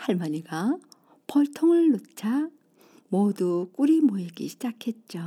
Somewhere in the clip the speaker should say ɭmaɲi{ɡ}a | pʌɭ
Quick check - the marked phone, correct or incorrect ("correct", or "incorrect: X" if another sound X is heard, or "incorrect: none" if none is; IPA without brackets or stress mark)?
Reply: correct